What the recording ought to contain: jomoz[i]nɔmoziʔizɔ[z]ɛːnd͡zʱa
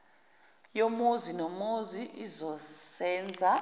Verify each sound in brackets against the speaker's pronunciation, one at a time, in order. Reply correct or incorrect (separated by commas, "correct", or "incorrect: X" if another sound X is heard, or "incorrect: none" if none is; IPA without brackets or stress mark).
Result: correct, incorrect: s